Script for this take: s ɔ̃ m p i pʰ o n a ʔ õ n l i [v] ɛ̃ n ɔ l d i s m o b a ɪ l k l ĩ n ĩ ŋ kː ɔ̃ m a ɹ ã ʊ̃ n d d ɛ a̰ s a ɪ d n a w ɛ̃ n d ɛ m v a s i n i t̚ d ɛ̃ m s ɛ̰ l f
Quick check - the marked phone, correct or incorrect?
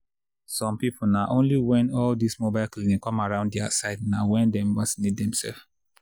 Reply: incorrect